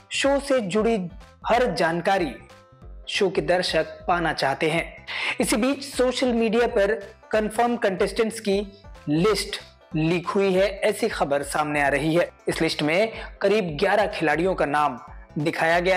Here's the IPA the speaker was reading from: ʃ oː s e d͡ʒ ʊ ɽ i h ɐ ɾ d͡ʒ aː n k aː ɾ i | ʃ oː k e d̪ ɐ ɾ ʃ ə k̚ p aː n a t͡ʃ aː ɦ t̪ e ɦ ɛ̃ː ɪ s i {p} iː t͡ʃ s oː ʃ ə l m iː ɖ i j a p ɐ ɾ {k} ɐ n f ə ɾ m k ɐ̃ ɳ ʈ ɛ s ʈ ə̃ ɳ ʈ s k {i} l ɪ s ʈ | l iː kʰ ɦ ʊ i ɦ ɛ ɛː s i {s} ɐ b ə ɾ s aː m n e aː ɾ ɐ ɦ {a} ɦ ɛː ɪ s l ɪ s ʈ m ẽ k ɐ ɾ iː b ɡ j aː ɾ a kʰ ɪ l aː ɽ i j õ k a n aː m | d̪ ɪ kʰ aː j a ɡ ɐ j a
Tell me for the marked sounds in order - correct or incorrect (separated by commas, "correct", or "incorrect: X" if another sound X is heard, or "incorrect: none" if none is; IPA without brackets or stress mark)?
incorrect: b, correct, correct, incorrect: x, incorrect: i